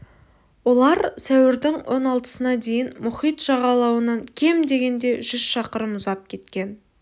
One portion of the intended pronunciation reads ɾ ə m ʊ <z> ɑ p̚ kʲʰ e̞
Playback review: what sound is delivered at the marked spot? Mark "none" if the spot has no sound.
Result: z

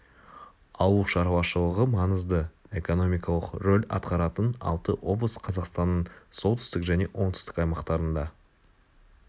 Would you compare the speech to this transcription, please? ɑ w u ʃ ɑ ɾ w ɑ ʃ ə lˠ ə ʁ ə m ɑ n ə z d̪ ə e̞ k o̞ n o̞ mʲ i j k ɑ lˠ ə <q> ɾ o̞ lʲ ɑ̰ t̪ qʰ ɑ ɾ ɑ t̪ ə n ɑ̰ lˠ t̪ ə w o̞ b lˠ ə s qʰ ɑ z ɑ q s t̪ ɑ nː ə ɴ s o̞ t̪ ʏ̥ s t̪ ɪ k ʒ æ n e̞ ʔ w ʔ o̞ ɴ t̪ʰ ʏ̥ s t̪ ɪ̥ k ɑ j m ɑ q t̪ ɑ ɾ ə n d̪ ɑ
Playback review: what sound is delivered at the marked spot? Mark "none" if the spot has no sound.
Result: q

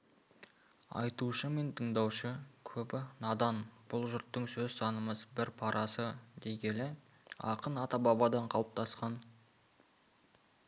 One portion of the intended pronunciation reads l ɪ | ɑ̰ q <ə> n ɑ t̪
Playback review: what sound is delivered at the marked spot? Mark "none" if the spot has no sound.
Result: ə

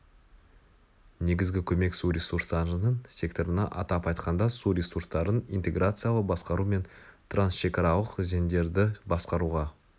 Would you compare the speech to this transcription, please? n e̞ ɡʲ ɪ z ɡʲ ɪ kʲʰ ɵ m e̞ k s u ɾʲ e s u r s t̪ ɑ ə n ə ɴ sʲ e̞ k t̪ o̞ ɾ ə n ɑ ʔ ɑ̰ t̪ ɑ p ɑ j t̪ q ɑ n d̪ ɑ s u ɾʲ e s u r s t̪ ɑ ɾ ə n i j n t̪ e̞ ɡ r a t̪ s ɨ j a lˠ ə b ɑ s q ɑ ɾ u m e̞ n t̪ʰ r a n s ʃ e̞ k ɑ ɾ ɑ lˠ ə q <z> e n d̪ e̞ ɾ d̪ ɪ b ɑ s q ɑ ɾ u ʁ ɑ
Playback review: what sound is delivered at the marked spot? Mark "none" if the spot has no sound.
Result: z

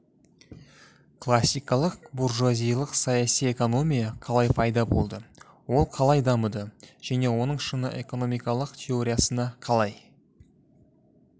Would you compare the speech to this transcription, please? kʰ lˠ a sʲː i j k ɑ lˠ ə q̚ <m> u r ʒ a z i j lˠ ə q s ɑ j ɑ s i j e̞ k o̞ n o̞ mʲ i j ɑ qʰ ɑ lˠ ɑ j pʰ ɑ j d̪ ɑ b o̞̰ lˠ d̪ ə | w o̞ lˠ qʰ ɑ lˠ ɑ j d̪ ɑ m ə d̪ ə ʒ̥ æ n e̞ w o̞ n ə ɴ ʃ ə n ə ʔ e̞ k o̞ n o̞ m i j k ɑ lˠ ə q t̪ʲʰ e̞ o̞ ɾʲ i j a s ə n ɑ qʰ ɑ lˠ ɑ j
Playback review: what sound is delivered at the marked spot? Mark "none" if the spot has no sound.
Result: b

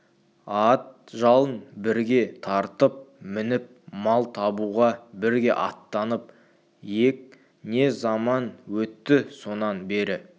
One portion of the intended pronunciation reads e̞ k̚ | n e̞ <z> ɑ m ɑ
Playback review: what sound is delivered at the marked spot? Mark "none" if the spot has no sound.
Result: z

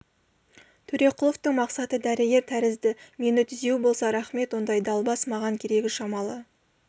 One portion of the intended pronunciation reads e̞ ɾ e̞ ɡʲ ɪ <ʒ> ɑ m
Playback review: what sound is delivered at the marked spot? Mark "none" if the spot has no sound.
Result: ʃ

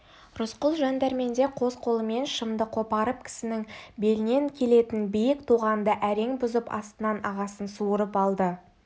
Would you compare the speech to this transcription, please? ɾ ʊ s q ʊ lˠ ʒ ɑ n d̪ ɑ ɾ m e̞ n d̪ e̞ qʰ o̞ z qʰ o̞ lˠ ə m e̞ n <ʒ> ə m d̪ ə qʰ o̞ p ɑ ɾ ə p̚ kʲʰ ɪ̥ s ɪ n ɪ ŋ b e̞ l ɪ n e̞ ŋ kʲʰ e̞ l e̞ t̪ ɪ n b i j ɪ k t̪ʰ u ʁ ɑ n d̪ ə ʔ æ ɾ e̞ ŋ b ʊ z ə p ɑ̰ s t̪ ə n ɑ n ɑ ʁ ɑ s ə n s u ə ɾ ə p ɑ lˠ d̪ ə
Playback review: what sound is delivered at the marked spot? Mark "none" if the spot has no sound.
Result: ʃ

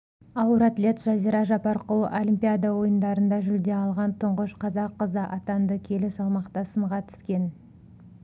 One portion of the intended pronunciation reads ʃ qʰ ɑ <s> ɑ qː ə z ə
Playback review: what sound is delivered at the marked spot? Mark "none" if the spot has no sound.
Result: z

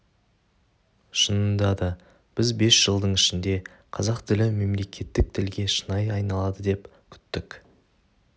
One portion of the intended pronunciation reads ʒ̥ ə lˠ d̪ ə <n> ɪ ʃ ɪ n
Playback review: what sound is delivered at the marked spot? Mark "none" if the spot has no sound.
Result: ɴ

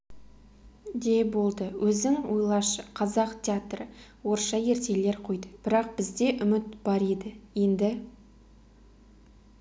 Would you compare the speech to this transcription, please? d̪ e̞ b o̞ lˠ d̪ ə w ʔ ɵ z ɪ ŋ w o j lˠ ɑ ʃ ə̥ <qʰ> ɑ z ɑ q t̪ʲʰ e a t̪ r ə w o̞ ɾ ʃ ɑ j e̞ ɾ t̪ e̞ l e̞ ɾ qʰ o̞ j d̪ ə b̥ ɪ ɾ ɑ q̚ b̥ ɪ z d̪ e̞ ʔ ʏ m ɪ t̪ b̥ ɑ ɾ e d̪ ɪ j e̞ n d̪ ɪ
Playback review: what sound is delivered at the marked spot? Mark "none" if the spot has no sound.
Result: qʰ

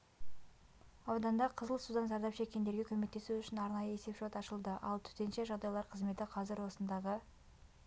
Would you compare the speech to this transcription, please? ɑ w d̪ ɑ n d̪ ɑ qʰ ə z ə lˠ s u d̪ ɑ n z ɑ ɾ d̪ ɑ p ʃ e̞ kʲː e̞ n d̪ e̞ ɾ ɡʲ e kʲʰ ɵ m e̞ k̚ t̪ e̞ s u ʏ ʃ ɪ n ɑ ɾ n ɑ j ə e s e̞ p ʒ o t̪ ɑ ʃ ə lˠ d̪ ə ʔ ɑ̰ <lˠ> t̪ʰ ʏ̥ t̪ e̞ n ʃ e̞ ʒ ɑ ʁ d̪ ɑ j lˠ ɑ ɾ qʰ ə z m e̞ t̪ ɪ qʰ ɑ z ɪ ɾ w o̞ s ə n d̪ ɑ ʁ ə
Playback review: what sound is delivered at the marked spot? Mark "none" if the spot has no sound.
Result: lˠ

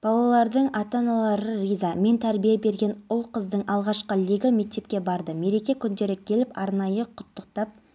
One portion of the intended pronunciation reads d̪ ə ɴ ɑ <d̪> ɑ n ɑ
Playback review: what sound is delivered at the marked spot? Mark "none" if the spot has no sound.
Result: t̪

